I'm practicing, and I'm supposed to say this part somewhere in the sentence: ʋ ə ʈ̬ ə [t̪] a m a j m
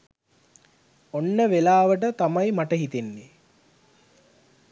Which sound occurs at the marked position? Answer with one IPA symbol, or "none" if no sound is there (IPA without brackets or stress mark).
t̪